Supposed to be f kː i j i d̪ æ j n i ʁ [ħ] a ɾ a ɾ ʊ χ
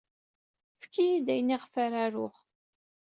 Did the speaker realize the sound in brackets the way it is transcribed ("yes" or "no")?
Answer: no